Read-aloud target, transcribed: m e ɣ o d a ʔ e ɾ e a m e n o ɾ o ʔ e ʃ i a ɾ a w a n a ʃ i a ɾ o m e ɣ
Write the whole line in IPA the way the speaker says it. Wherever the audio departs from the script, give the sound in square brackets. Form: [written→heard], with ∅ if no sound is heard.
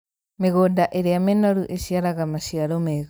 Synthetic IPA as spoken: m e ɣ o d a ʔ e ɾ e a m e n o ɾ [o→u] ʔ e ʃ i a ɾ a [w→ɣ] a [n→m] a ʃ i a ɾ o m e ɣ